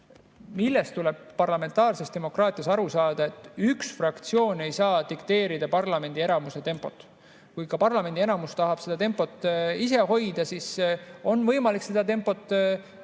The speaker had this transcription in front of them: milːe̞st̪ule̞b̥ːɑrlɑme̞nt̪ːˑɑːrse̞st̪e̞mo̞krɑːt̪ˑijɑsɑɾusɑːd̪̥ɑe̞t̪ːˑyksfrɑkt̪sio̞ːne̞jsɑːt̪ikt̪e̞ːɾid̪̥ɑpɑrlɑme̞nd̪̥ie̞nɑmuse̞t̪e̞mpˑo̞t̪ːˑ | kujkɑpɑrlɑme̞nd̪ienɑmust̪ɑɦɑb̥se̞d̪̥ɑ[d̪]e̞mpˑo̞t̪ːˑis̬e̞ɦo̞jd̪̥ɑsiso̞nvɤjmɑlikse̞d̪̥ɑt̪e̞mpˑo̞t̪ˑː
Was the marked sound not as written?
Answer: yes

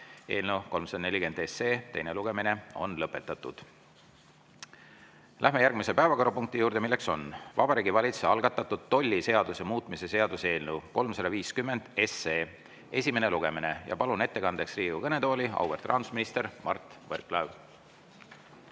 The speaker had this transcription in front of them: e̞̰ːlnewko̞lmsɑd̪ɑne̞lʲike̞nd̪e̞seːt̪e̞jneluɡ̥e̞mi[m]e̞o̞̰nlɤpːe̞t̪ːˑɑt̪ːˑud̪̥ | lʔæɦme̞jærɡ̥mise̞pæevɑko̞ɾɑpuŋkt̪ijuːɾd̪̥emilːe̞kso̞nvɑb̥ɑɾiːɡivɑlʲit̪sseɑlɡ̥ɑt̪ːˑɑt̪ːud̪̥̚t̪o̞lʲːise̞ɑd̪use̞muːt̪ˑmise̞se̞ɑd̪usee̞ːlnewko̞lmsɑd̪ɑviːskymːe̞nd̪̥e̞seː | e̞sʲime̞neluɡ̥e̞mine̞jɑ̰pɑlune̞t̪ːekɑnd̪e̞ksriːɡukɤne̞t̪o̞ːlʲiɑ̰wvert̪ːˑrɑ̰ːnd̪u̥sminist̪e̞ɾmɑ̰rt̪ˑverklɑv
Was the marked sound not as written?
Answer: yes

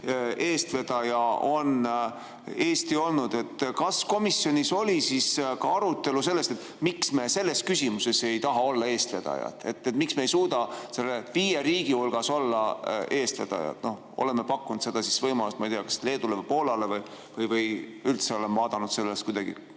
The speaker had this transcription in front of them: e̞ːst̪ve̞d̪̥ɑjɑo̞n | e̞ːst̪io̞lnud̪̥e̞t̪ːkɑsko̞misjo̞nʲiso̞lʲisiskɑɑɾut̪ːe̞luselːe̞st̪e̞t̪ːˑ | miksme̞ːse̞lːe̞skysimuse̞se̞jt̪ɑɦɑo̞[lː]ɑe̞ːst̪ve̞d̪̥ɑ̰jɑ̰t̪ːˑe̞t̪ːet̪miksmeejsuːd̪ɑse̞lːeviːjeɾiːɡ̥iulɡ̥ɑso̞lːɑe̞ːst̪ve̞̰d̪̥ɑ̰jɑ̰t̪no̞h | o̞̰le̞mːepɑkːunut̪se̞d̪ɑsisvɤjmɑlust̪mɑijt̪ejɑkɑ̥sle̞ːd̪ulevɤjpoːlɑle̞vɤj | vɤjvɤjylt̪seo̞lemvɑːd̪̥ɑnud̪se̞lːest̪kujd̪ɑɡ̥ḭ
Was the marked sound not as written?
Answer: no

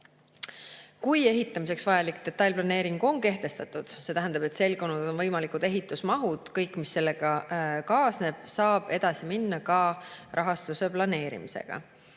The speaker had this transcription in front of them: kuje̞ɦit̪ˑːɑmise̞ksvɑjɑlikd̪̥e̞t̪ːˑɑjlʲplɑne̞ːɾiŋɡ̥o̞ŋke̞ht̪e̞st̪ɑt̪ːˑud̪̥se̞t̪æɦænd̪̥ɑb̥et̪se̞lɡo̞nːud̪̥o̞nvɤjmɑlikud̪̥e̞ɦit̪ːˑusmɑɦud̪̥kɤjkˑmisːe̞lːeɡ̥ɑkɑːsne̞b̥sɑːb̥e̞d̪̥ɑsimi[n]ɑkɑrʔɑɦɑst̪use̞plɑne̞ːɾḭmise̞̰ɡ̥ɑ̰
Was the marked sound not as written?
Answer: yes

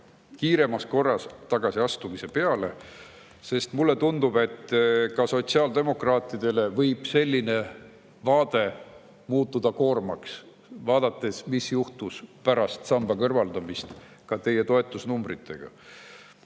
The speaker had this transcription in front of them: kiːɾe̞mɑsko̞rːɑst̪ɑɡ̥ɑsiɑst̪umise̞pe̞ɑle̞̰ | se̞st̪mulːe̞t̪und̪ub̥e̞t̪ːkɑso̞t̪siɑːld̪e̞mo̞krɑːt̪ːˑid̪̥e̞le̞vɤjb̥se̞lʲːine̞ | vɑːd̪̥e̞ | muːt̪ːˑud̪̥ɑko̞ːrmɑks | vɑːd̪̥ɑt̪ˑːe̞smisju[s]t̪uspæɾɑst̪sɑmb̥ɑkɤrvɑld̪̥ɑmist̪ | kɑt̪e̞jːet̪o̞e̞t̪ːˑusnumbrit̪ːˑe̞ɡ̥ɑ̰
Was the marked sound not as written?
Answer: yes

